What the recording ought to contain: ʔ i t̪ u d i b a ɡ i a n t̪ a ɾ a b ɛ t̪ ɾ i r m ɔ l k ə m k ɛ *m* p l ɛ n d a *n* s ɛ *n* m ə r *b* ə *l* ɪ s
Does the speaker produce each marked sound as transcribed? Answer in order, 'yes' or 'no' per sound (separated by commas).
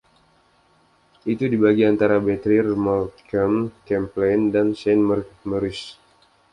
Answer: yes, yes, yes, no, no